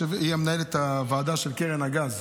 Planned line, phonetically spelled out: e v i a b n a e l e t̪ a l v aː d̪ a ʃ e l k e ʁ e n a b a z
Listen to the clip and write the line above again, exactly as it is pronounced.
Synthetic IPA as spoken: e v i a m n a e l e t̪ a v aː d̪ a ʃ e l k e ʁ e n a ɡ a z

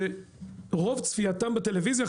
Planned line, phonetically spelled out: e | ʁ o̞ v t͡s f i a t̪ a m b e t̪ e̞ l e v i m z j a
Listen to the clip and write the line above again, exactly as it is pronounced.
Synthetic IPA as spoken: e | ʁ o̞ v t͡s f i a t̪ a m b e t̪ e̞ l e v i z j a

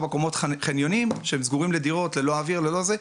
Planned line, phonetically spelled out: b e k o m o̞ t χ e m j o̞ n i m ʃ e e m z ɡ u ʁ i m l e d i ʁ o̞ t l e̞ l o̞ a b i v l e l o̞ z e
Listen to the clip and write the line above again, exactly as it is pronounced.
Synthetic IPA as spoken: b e k o m o̞ t χ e n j o̞ n i m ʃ e e m z ɡ u ʁ i m l e d i ʁ o̞ t l e̞ l o̞ a v i ʁ l e l o̞ z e

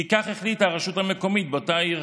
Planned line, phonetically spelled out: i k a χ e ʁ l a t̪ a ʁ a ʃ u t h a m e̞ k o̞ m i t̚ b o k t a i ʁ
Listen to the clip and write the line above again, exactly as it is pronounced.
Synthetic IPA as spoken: i k a χ e χ l i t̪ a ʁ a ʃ u t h a m e̞ k o̞ m i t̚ b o t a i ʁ

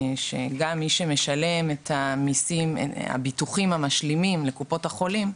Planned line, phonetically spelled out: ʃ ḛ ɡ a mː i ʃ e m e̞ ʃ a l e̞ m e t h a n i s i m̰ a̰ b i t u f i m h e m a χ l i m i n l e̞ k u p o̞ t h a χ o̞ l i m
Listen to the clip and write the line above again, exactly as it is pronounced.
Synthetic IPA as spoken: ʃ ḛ ɡ a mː i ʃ e m e̞ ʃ a l e̞ m e t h a m i s i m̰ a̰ b i t u χ i m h a m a ʃ l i m i m l e̞ k u p o̞ t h a χ o̞ l i m

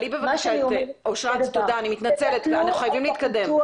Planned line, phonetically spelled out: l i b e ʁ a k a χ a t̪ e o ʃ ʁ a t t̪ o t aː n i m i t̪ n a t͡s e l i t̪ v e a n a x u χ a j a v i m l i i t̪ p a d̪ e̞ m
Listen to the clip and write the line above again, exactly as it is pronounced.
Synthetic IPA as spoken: l i b e v a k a ʃ a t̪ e o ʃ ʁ a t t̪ o d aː n i m i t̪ n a t͡s e l e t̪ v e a n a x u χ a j a v i m l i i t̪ k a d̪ e̞ m

